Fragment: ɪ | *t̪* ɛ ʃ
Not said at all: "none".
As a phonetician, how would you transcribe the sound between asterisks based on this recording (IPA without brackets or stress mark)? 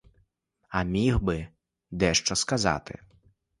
d̪